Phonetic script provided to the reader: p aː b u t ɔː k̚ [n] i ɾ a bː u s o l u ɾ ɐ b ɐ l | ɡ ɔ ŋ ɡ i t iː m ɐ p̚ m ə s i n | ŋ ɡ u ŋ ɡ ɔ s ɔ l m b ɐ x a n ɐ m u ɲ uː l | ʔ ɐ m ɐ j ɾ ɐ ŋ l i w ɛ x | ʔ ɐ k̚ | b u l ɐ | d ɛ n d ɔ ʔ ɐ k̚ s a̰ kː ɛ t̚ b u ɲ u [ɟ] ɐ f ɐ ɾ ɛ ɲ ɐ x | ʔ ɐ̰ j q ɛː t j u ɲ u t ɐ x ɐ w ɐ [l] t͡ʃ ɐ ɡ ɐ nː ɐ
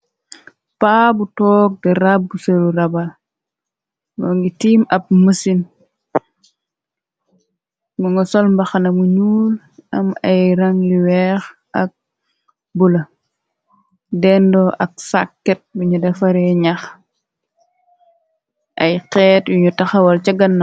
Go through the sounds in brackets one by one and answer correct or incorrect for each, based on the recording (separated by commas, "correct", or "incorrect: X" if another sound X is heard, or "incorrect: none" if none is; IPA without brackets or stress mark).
incorrect: d, incorrect: d, correct